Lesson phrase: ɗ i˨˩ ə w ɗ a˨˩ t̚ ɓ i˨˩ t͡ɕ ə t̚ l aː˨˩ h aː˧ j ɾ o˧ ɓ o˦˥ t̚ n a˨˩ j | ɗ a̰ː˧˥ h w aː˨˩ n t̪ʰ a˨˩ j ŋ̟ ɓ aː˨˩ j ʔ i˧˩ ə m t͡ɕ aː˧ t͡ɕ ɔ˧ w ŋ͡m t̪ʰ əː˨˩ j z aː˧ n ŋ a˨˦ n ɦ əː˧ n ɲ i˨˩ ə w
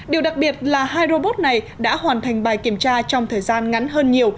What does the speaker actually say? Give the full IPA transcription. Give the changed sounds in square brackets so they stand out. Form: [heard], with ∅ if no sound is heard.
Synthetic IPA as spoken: ɗ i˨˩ ə w ɗ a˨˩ [k̚] ɓ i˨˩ [∅] ə t̚ l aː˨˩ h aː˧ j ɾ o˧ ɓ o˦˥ t̚ n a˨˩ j | ɗ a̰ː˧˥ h w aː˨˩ n t̪ʰ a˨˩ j ŋ̟ ɓ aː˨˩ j [k] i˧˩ ə m t͡ɕ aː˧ t͡ɕ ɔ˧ w ŋ͡m t̪ʰ əː˨˩ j z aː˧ n ŋ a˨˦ n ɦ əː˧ n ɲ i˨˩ ə w

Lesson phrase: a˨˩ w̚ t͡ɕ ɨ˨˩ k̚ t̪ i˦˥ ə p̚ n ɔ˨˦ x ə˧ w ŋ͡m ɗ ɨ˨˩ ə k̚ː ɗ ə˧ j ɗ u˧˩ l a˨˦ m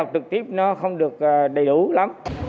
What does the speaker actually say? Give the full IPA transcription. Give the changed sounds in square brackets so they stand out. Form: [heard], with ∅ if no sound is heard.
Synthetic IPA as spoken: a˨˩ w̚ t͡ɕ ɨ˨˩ k̚ t̪ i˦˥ ə p̚ n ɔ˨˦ x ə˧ w ŋ͡m ɗ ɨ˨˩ ə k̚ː ɗ [ə˨˩] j ɗ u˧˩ l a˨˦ m

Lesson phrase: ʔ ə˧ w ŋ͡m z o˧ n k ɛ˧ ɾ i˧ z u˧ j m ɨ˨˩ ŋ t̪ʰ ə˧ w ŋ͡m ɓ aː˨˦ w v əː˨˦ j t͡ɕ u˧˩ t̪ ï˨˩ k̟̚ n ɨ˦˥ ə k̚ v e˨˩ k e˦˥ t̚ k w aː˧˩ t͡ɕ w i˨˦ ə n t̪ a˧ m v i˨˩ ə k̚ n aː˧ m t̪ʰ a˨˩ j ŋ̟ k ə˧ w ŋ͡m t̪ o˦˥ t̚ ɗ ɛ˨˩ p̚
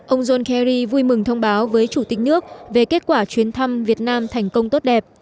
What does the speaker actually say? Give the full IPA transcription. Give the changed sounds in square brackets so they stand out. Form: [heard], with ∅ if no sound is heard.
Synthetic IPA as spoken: ʔ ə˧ w ŋ͡m z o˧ n k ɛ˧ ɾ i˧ [v] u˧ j m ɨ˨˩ ŋ t̪ʰ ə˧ w ŋ͡m ɓ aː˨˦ w v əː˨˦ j t͡ɕ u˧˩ t̪ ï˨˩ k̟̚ n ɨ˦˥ ə k̚ v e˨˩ k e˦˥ t̚ k w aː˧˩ t͡ɕ w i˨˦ ə n [t̪ʰ] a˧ m v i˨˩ ə [t̚] n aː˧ m t̪ʰ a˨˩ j ŋ̟ k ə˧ w ŋ͡m t̪ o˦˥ t̚ ɗ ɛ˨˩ p̚

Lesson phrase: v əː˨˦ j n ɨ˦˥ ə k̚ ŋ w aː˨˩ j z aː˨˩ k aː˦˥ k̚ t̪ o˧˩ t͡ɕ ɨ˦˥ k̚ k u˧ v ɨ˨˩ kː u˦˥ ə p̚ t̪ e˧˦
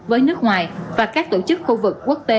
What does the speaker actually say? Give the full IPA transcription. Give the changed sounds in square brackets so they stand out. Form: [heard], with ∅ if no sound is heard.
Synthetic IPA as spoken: v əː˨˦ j n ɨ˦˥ ə k̚ ŋ w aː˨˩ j [v] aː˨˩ k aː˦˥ k̚ t̪ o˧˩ t͡ɕ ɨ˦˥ k̚ [x] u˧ v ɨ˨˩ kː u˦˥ ə [k̚] t̪ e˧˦

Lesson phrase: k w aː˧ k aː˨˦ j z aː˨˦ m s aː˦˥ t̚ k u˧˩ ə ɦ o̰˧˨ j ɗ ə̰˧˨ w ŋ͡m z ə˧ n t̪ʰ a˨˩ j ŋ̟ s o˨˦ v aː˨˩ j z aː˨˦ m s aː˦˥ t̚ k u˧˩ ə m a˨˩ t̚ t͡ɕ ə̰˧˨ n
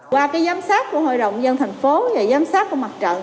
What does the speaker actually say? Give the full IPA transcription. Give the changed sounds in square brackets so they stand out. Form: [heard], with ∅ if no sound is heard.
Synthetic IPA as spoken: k w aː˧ k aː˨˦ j z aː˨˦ m s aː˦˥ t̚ k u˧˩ ə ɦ o̰˧˨ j ɗ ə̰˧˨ w ŋ͡m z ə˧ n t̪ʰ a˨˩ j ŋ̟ [f] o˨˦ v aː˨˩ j z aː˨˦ m s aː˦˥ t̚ k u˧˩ ə m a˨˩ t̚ t͡ɕ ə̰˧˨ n

